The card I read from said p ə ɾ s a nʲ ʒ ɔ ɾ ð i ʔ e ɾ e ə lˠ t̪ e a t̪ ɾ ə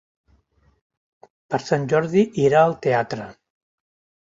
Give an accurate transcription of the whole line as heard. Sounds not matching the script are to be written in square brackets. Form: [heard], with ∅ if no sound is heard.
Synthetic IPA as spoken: p ə ɾ s a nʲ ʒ ɔ ɾ ð i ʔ [i] ɾ [a] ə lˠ t̪ e a t̪ ɾ ə